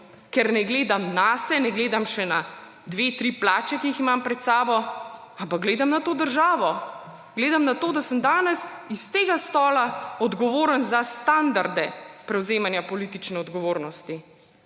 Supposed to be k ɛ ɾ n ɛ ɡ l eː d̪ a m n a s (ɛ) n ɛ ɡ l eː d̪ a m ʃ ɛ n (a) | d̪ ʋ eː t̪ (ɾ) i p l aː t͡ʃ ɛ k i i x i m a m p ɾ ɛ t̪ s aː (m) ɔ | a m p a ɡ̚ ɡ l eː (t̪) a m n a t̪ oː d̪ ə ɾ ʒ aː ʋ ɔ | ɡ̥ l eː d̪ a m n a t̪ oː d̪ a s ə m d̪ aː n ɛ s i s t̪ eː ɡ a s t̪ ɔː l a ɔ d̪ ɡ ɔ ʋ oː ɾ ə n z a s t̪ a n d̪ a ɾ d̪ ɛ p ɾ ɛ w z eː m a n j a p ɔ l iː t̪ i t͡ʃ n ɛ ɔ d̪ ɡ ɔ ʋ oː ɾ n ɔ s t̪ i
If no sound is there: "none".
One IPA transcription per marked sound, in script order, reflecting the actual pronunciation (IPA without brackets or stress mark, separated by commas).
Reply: ɛ, a, ɾ, b, d̪